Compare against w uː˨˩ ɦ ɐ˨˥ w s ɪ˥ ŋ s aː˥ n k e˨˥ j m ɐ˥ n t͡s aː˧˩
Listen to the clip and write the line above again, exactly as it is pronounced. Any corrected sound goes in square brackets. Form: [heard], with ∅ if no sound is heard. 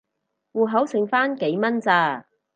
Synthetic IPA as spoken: w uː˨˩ ɦ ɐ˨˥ w s [ɪ˨˩] ŋ [f] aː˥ n k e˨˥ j m ɐ˥ n t͡s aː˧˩